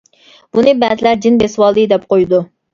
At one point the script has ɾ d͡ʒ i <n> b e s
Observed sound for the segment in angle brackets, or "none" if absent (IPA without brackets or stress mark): n